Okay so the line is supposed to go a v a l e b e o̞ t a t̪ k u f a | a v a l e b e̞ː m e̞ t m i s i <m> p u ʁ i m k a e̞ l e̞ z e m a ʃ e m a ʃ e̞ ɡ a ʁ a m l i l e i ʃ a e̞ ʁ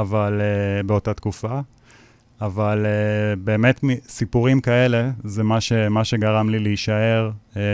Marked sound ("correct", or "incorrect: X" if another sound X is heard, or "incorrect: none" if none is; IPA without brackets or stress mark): incorrect: none